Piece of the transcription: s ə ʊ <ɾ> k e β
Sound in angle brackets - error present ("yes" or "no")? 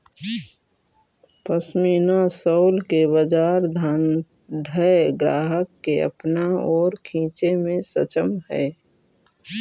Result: yes